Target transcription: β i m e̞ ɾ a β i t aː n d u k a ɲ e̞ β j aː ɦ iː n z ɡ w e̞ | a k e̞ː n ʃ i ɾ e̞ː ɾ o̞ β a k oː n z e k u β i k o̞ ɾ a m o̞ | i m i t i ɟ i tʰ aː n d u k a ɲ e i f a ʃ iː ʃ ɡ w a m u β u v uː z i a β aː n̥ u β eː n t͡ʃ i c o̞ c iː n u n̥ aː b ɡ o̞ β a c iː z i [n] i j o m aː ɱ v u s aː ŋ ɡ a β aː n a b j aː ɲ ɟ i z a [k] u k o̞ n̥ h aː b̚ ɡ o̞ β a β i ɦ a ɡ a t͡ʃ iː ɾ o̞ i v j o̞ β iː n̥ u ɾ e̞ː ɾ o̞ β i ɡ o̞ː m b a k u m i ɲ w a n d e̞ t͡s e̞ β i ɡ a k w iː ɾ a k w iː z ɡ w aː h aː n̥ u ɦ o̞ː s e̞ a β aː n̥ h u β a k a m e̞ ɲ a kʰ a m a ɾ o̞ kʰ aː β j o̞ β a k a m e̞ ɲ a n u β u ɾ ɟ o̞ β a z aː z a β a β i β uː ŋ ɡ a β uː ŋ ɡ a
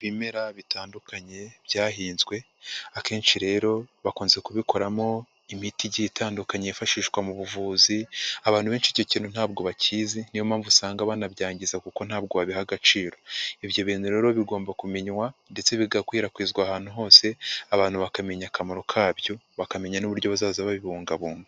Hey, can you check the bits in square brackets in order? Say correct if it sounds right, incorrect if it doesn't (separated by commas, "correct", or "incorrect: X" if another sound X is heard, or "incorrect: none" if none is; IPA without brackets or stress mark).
correct, correct